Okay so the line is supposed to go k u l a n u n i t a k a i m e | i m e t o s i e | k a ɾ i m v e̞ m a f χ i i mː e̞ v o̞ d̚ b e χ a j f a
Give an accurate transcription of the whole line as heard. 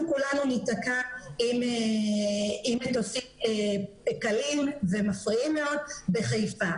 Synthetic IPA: k u l a n u n i t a k a i m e | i m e t o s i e | k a l i m v e̞ m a f ʁ i i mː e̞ o̞ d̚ b e χ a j f a